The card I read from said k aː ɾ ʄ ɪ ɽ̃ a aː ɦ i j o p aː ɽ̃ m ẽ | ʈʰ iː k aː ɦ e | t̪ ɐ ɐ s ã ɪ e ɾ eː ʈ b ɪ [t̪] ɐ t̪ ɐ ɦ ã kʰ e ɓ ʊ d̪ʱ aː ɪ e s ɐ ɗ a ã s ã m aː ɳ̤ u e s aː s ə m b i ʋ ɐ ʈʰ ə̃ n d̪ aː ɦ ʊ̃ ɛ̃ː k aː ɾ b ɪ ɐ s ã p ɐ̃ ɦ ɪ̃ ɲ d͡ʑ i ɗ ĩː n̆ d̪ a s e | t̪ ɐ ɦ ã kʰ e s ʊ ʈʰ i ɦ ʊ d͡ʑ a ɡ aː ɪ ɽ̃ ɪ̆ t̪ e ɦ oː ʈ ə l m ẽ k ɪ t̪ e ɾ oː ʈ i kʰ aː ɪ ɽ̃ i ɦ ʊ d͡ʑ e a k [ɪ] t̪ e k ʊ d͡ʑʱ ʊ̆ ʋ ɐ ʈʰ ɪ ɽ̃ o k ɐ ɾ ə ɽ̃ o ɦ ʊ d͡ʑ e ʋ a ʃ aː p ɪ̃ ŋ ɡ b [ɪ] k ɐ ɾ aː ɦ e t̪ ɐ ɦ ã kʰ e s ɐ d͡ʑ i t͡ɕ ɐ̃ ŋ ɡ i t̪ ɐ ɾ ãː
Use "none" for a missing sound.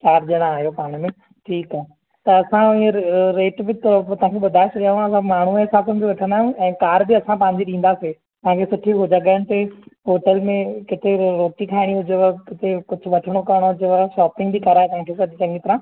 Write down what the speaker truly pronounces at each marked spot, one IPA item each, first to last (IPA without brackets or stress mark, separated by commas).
t̪, ɪ, i